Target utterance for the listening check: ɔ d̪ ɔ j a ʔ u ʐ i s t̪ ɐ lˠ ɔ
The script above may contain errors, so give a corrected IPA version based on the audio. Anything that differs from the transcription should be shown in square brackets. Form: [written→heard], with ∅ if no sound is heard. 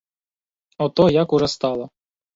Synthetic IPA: ɔ [d̪→t̪] ɔ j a [ʔ→k] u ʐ [i→ɛ] s t̪ [ɐ→ɑ] lˠ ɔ